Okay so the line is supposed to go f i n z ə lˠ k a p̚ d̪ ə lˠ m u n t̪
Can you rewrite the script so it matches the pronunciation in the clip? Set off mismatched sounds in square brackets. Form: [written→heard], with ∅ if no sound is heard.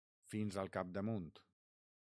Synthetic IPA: f i n z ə lˠ k a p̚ d̪ ə [lˠ→∅] m u n t̪